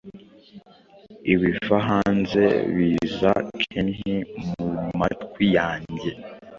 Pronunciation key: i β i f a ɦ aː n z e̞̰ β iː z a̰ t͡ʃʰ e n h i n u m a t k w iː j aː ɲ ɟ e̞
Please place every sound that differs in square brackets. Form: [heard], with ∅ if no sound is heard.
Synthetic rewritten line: i β i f a ɦ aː n z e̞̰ β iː z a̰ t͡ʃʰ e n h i [m] u m a t k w [i] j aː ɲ ɟ e̞